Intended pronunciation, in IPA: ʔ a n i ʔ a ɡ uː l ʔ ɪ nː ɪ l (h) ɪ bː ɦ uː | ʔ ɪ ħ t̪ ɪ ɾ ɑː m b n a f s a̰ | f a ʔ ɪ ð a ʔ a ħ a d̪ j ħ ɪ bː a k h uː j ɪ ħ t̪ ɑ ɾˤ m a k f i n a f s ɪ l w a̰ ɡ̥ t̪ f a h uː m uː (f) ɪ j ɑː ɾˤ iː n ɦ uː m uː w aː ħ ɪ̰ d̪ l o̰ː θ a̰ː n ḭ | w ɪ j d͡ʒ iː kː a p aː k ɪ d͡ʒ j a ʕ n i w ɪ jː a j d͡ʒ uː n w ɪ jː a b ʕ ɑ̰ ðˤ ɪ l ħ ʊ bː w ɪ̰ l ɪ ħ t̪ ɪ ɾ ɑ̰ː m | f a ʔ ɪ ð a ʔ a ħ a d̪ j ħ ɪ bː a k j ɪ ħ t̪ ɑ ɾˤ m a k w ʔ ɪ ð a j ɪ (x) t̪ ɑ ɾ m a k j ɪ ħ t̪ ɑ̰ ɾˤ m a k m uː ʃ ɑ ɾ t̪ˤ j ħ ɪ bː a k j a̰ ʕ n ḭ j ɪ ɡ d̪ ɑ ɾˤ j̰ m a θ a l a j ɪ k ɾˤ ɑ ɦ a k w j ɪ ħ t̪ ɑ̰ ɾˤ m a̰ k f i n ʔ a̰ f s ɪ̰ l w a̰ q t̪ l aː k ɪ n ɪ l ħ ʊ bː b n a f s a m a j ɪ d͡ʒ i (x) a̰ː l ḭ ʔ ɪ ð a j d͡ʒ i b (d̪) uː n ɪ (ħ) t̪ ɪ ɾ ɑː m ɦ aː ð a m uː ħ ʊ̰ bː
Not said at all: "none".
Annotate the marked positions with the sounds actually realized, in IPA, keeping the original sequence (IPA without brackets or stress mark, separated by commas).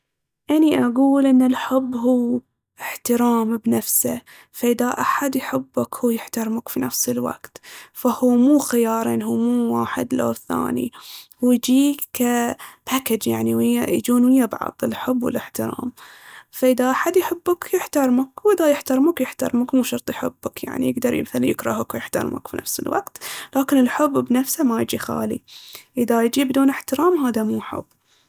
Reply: ħ, x, ħ, x, d̪, ħ